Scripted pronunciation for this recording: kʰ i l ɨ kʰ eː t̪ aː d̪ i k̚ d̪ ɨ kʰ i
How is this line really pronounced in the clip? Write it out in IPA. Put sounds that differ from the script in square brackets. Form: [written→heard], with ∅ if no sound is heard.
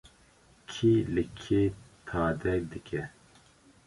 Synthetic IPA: kʰ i l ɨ kʰ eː [t̪→t̪ʰ] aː d̪ [i→ɛ] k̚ d̪ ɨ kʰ [i→ɛ]